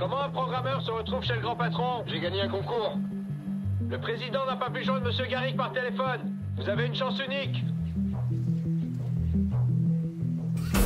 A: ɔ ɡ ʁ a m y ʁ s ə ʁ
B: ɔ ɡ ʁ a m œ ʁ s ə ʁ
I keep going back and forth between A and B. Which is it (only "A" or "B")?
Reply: B